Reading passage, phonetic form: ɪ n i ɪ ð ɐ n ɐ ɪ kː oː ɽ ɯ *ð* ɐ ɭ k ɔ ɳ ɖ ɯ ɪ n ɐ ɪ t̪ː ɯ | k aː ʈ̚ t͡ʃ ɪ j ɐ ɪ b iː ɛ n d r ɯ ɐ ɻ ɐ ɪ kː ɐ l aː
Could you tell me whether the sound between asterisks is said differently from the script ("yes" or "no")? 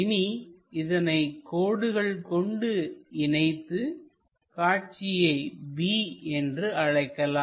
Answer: yes